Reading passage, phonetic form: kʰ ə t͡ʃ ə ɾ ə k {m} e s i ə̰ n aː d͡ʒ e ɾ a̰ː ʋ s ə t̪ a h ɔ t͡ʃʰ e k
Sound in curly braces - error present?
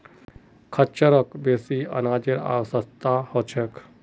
yes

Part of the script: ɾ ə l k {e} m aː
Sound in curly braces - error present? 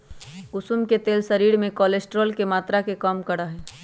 no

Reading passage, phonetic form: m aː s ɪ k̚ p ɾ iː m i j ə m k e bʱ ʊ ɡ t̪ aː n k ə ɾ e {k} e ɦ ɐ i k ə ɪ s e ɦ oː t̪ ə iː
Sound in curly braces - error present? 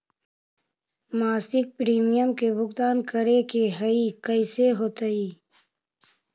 no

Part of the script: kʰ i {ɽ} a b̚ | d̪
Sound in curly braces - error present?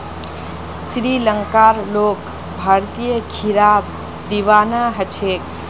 yes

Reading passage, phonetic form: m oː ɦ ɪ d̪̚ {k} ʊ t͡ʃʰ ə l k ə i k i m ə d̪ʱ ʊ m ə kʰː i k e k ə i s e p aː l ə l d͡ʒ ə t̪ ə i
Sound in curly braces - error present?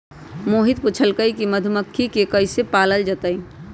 yes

